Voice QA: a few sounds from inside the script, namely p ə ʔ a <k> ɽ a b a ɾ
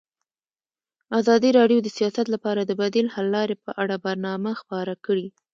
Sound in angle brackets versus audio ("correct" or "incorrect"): incorrect